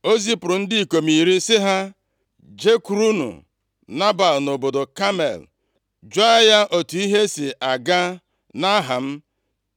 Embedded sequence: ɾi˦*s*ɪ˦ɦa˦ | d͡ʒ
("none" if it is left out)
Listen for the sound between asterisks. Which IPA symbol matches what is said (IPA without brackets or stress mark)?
s